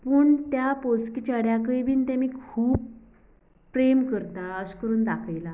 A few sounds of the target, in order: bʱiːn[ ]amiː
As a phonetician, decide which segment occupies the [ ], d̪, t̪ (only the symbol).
t̪